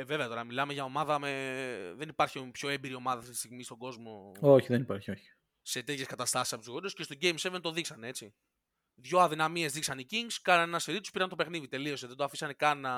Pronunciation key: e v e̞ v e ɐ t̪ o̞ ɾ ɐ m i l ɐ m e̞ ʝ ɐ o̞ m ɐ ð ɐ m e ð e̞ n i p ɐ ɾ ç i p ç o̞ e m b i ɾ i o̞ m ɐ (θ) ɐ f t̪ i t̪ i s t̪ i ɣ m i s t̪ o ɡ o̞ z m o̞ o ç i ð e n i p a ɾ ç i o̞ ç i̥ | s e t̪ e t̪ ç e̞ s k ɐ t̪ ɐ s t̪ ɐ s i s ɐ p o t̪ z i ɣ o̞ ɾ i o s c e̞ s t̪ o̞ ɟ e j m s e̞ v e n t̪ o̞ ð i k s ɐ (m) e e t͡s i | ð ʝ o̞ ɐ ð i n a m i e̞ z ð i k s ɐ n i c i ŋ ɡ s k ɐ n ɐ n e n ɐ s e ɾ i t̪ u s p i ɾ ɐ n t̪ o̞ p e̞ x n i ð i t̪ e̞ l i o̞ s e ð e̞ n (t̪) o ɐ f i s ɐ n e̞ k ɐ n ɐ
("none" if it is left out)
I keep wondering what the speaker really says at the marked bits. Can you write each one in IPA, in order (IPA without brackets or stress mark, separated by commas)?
ð, n, d̪